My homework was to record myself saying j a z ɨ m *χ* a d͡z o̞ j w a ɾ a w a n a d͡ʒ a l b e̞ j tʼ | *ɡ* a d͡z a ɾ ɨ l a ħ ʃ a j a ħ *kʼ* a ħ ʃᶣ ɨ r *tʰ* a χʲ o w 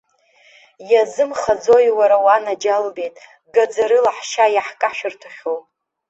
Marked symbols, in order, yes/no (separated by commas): yes, yes, yes, yes